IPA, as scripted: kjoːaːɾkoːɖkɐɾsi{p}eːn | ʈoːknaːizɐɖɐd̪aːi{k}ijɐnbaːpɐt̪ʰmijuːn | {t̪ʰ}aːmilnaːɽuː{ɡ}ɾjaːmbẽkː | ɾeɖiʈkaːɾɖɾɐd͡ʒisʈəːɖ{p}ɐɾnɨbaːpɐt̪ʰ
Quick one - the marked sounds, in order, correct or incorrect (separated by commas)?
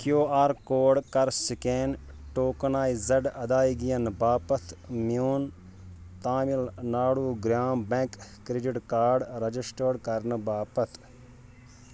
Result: incorrect, incorrect, incorrect, correct, incorrect